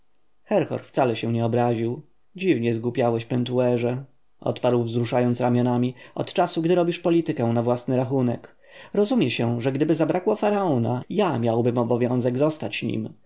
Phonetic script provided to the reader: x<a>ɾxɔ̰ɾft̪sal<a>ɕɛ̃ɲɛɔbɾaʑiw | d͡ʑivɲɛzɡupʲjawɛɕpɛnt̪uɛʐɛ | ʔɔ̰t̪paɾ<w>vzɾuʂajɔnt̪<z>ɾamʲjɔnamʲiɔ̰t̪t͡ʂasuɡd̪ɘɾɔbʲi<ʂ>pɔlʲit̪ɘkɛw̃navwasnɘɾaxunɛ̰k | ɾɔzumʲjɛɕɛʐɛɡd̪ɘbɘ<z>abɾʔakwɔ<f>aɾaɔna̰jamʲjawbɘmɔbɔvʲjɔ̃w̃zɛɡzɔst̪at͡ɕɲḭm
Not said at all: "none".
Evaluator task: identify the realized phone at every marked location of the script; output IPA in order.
ɛ, ɛ, w, s, ʂ, z, f

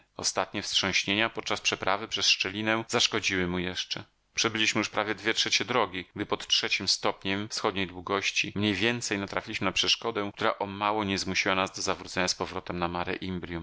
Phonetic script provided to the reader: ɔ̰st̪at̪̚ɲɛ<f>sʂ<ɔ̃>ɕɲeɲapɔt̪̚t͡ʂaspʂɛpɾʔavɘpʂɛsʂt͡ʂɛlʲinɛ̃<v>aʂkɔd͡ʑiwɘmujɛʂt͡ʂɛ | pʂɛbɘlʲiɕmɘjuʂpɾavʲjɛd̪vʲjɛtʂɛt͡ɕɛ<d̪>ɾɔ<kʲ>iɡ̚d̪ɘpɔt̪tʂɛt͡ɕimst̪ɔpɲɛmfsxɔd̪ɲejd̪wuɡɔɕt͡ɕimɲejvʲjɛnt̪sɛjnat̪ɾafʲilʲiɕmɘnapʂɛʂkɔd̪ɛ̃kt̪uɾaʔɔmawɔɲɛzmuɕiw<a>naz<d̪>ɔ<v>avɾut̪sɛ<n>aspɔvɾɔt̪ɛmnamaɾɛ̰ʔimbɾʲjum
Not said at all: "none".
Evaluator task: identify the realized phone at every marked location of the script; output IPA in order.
f, ɔ̃, z, d̪, ɡʲ, a, d̪, z, ɲ

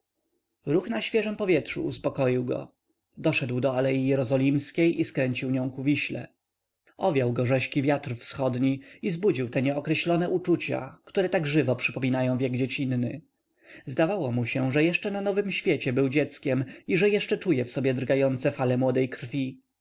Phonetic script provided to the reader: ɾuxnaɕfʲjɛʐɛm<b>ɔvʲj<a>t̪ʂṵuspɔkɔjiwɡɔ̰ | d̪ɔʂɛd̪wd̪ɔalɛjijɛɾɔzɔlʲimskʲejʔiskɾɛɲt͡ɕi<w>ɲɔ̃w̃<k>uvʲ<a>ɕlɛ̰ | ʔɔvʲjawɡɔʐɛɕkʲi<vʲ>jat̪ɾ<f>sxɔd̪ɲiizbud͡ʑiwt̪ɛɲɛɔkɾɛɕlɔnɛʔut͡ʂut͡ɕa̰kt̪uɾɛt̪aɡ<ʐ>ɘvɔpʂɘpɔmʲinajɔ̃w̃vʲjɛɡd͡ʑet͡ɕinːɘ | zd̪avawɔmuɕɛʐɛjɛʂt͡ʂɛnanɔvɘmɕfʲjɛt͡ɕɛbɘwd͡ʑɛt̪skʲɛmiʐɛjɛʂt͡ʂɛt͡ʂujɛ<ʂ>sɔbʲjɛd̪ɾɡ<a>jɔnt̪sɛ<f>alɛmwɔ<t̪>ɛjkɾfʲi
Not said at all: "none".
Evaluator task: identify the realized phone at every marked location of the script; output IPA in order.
p, ɛ, w, k, i, vʲ, f, ʐ, f, a, f, d̪

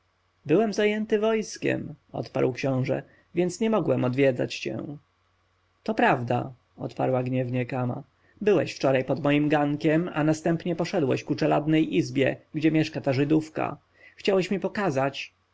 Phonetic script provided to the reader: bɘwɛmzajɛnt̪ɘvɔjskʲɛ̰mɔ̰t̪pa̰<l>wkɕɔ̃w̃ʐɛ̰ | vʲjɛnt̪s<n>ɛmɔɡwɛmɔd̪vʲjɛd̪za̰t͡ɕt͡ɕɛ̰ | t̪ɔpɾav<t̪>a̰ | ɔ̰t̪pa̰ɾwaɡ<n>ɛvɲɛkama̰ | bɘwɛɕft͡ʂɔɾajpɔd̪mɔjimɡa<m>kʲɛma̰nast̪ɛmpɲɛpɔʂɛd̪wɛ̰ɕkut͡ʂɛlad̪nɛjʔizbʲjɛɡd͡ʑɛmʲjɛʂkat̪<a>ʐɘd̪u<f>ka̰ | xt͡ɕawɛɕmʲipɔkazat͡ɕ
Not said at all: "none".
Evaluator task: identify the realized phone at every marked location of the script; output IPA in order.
ɾ, ɲ, d̪, ɲ, ŋ, a, f

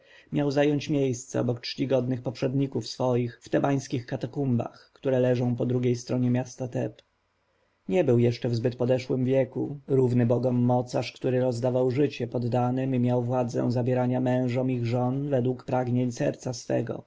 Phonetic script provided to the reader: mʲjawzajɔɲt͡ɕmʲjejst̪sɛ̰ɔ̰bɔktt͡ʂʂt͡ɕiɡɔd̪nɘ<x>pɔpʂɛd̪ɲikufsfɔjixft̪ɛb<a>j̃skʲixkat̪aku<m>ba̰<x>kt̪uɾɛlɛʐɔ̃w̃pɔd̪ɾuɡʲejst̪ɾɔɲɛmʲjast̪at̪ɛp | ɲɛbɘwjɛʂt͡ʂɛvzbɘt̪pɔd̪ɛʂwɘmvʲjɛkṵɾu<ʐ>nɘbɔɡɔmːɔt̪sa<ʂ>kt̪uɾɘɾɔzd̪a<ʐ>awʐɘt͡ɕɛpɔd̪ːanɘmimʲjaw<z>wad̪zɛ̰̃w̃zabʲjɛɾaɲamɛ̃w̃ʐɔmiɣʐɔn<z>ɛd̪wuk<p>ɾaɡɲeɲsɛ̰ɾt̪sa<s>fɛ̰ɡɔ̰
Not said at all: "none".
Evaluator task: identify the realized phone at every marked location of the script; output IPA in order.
x, a, m, x, v, ʂ, v, v, v, p, s

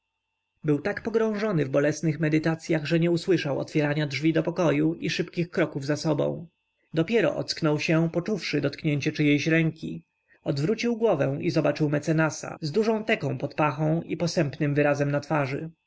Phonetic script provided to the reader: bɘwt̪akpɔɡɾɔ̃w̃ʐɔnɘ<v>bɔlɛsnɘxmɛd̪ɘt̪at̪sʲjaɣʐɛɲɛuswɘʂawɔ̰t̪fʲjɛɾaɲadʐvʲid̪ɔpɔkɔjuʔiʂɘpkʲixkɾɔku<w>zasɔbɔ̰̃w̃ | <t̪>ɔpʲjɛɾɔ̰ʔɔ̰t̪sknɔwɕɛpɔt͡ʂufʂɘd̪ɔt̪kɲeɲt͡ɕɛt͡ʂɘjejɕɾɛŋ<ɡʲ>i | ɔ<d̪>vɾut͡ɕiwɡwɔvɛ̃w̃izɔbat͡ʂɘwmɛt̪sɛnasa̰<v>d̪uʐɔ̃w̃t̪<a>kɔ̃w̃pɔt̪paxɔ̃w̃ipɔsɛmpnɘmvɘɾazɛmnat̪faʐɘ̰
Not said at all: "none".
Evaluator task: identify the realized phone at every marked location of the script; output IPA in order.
v, v, d̪, kʲ, d̪, z, ɛ

